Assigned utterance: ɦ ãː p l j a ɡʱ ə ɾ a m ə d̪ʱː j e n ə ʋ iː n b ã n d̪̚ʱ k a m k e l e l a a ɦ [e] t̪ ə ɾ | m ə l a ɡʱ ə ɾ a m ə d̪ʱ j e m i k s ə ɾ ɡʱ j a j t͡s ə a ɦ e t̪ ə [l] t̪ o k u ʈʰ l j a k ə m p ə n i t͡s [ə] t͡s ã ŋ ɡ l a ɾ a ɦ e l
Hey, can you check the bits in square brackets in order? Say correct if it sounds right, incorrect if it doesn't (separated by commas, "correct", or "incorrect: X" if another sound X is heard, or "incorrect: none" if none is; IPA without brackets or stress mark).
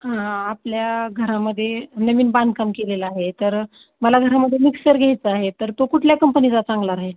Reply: correct, incorrect: ɾ, incorrect: a